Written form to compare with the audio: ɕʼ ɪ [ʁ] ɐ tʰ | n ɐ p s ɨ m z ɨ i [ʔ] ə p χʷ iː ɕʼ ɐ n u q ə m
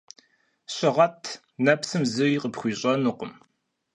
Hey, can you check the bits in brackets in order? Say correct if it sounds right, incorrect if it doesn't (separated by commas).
correct, incorrect